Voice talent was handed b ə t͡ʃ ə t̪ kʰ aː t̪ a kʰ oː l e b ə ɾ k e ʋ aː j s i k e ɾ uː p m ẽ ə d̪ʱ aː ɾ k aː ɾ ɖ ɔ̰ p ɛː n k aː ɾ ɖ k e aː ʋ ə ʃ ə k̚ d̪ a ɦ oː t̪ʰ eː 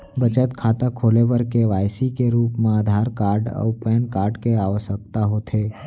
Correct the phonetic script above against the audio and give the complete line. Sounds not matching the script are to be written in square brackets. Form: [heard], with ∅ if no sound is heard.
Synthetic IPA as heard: b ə t͡ʃ ə t̪ kʰ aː t̪ a kʰ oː l e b ə ɾ k e ʋ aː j s i k e ɾ uː p m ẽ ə d̪ʱ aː ɾ k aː ɾ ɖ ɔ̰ p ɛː n k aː ɾ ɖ k e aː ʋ ə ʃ ə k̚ [t̪] a ɦ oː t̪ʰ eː